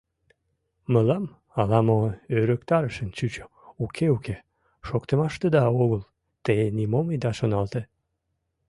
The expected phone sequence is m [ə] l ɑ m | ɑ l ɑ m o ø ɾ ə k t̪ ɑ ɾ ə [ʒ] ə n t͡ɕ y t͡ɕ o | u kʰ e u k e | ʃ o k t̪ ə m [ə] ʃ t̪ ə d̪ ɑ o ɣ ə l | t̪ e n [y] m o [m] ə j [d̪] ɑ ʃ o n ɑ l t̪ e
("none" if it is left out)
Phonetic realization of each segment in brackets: ə, ʃ, ɑ, i, m, d̪

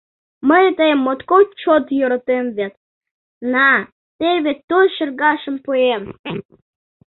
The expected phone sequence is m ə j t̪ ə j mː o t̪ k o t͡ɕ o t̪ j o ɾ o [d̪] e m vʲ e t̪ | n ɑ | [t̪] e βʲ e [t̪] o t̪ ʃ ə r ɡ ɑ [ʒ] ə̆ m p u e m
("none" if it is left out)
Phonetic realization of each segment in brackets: t̪, t̪, t̪, ʃ

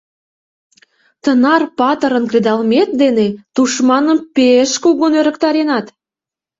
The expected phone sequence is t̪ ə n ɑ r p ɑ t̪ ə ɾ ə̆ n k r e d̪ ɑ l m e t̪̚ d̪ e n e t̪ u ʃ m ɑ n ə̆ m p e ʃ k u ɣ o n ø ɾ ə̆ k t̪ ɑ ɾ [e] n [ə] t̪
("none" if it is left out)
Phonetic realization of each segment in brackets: e, ɑ

